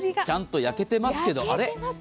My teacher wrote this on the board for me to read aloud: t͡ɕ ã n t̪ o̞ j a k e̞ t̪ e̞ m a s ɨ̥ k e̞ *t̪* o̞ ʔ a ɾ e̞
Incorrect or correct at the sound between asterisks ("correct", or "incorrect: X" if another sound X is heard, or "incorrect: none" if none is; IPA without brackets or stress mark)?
incorrect: d̪